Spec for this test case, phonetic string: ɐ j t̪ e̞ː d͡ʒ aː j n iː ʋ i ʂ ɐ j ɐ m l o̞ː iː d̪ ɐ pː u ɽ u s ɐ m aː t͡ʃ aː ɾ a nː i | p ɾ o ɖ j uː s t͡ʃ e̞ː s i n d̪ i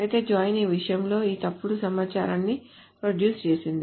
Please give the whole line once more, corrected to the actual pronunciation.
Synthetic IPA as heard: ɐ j t̪ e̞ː d͡ʒ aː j n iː ʋ i ʂ ɐ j ɐ m l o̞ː iː t̪ ɐ pː u ɽ u s ɐ m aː t͡ʃ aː ɾ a nː i | p ɾ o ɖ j uː s t͡ʃ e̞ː s i n d̪ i